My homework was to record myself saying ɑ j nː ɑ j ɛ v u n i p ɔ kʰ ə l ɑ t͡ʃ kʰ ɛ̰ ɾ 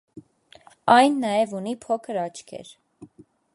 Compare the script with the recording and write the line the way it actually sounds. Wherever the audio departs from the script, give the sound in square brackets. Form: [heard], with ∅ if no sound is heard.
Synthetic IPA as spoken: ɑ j nː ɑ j ɛ v u n i [pʰ] ɔ kʰ ə [ɾ] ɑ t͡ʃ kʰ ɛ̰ ɾ